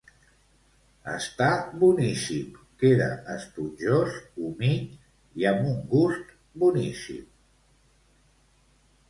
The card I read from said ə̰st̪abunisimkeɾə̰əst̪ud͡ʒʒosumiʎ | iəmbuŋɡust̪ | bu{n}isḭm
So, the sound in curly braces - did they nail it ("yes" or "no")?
yes